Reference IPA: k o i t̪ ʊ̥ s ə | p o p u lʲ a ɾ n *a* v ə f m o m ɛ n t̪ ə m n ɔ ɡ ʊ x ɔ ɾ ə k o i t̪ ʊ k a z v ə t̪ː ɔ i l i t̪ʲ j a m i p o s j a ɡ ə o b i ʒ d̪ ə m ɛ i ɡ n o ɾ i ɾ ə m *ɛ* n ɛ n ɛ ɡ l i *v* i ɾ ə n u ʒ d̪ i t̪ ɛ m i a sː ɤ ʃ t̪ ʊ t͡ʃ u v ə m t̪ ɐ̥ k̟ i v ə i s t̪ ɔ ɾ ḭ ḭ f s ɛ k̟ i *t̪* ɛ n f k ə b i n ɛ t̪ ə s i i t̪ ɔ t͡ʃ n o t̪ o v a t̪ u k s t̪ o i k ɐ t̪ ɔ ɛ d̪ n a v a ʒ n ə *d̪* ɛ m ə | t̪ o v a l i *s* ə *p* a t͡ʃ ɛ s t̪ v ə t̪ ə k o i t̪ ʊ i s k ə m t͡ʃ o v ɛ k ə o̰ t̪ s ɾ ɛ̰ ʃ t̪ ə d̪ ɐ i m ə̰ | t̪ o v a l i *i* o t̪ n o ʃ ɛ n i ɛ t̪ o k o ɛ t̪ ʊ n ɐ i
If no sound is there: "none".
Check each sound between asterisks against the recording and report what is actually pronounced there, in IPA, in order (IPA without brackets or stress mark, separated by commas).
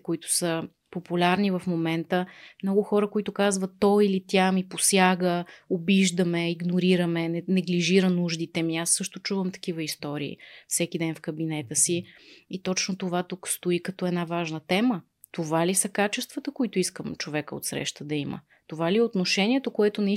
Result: i, ɛ, ʒ, d̪, t̪, s, k, ɛ